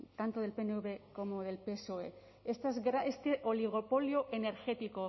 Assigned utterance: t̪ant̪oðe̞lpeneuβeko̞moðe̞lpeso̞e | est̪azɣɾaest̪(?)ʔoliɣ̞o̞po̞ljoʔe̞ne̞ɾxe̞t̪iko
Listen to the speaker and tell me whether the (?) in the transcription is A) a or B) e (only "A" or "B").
B